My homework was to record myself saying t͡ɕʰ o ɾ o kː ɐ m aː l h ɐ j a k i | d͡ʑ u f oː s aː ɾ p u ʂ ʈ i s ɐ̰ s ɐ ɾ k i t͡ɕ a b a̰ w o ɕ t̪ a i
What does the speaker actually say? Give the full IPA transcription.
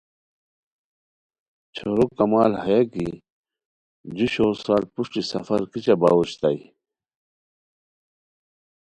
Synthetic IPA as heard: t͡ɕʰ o ɾ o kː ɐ m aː l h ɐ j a k i | d͡ʑ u ɕ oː s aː l p u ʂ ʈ i s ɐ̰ f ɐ ɾ k i t͡ɕ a b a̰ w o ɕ t̪ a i